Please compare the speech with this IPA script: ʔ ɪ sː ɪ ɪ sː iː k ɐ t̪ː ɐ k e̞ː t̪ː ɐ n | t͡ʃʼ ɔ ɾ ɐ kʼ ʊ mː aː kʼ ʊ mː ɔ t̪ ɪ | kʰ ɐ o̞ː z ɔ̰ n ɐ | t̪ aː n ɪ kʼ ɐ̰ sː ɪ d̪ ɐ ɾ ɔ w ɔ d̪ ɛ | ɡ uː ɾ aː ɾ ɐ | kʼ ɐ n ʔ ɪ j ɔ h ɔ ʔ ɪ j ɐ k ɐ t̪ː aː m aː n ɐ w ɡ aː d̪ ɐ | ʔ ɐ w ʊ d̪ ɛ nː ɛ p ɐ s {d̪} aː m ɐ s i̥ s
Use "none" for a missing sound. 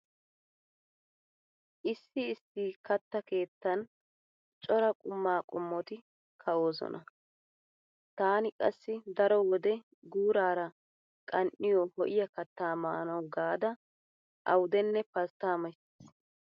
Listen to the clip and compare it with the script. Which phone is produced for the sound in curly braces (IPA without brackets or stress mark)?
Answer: t̪